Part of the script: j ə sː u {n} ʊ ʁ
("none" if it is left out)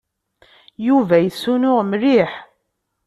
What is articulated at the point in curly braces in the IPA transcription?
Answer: n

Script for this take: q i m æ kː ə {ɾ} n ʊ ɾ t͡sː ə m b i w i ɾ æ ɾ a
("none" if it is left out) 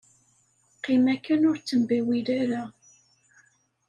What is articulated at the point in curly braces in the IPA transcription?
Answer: none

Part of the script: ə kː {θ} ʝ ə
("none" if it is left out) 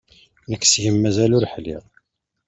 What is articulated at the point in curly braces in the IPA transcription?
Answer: s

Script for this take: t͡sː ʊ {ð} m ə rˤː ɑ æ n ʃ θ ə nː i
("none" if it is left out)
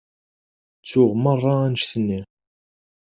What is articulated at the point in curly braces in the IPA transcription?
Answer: ʁ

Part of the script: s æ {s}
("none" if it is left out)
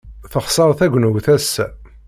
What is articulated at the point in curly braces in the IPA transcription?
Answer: none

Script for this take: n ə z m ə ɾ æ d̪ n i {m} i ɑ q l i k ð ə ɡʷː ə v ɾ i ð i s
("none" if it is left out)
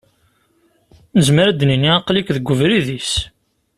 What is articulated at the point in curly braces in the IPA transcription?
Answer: n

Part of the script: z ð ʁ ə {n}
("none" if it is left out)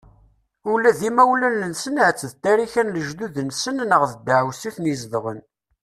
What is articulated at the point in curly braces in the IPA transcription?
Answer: n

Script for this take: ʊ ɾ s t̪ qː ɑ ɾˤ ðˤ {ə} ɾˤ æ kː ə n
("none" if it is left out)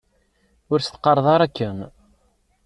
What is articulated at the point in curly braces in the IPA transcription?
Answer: ɑ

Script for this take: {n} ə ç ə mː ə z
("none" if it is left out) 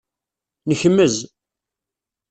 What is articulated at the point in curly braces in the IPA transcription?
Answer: n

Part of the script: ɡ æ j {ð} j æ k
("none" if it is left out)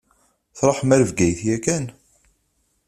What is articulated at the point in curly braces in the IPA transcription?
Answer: θ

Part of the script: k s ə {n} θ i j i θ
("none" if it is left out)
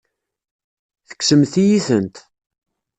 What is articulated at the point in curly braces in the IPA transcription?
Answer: m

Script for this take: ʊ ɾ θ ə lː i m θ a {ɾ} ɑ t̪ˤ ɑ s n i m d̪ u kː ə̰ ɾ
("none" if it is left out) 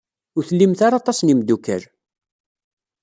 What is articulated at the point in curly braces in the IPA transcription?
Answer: ɾ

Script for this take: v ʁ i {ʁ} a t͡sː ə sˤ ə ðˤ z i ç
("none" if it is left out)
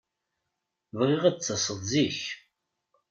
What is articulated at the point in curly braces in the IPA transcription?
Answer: ʁ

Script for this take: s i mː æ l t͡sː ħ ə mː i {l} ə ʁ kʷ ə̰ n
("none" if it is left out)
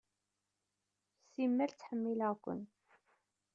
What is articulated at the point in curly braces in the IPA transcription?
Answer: l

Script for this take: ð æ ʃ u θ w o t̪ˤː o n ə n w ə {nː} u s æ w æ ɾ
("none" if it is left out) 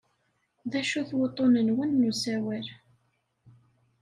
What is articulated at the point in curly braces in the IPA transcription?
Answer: nː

